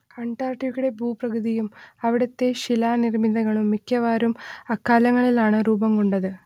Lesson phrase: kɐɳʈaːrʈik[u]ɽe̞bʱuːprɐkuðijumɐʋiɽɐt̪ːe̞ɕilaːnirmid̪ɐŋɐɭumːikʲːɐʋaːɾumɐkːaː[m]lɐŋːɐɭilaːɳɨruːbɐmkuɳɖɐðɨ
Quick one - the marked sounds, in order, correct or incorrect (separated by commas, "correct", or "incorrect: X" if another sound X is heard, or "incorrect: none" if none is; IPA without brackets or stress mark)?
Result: correct, incorrect: none